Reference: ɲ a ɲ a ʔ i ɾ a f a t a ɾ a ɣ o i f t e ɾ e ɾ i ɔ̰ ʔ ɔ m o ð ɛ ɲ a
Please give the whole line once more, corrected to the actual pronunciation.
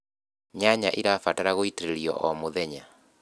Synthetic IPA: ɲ a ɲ a ʔ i ɾ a f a t a ɾ a ɣ o i t e ɾ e ɾ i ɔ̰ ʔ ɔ m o ð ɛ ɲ a